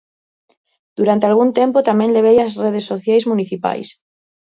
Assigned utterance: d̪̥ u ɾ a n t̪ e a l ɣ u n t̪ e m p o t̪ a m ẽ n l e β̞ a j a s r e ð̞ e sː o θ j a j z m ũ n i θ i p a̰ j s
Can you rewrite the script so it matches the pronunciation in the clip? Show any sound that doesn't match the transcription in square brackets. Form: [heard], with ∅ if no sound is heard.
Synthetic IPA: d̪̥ u ɾ a n t̪ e a l ɣ u n t̪ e m p o t̪ a m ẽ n l e β̞ [e] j a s r e ð̞ e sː o θ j a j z m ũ n i θ i p a̰ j s